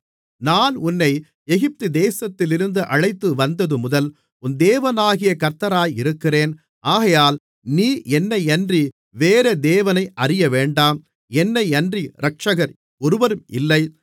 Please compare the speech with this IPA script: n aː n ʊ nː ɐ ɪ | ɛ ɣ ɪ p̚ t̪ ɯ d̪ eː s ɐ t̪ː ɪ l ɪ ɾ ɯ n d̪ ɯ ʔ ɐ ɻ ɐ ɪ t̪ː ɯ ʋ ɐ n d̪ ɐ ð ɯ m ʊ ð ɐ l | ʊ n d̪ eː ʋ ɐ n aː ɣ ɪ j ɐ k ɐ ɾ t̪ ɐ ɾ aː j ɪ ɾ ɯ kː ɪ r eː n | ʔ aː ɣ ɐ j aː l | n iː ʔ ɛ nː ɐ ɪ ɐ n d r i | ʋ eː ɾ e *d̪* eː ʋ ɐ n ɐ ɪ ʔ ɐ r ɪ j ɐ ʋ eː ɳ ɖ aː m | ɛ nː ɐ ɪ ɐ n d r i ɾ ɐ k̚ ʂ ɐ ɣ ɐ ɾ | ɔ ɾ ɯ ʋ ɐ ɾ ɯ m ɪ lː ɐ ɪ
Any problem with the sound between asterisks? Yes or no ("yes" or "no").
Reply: no